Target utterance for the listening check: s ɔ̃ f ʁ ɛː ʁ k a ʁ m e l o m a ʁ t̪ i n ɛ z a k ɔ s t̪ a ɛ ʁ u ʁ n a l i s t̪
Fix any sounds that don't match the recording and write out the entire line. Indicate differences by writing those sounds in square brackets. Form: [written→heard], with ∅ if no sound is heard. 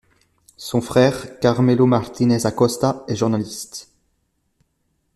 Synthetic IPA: s ɔ̃ f [ʁ→χ] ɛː ʁ k a ʁ m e l o m a ʁ t̪ i n ɛ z a k ɔ s t̪ a ɛ [ʁ→ʒ] u ʁ n a l i s t̪